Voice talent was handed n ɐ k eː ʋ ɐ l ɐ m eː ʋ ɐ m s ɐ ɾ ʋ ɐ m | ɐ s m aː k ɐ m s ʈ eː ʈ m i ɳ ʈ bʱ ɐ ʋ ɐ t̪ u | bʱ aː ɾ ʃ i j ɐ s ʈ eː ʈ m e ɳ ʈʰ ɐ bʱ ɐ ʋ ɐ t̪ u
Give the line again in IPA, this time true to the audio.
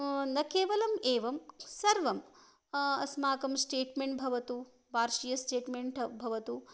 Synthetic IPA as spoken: n ɐ k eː ʋ ɐ l ɐ m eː ʋ ɐ m s ɐ ɾ ʋ ɐ m | ɐ s m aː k ɐ m s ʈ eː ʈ m e ɳ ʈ bʱ ɐ ʋ ɐ t̪ u | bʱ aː ɾ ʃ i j ɐ s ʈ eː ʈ m e ɳ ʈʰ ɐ bʱ ɐ ʋ ɐ t̪ u

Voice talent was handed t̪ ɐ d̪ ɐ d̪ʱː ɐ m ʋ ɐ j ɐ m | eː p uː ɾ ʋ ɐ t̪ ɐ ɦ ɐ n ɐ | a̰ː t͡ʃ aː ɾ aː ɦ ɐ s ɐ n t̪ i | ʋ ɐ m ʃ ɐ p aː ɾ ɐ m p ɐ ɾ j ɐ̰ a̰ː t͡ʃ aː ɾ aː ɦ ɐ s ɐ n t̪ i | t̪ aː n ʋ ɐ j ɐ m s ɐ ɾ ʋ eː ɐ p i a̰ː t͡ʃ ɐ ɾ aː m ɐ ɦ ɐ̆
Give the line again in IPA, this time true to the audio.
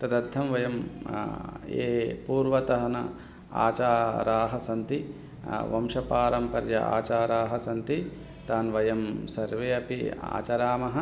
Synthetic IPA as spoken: t̪ ɐ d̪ ɐ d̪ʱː ɐ m ʋ ɐ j ɐ m | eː p uː ɾ ʋ ɐ t̪ ɐ ɦ ɐ n ɐ | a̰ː t͡ʃ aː ɾ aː ɦ ɐ s ɐ n t̪ i | ʋ ɐ m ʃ ɐ p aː ɾ ɐ m p ɐ ɾ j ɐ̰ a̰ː t͡ʃ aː ɾ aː ɦ ɐ s ɐ n t̪ i | t̪ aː n ʋ ɐ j ɐ m s ɐ ɾ ʋ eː ɐ p i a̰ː t͡ʃ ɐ ɾ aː m ɐ ɦ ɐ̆

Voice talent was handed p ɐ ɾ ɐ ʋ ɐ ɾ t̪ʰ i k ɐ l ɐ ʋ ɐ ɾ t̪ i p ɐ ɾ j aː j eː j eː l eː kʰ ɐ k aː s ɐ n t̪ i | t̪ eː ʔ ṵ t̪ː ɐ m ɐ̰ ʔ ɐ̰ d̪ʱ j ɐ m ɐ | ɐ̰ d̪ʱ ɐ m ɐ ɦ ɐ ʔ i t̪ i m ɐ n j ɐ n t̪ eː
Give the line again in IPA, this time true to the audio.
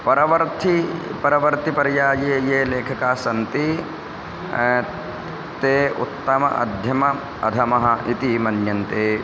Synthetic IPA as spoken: p ɐ ɾ ɐ ʋ ɐ ɾ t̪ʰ i p ɐ ɾ ɐ ʋ ɐ ɾ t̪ i p ɐ ɾ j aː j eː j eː l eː kʰ ɐ k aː s ɐ n t̪ i | t̪ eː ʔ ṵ t̪ː ɐ m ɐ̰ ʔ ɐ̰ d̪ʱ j ɐ m ɐ | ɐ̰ d̪ʱ ɐ m ɐ ɦ ɐ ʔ i t̪ i m ɐ n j ɐ n t̪ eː

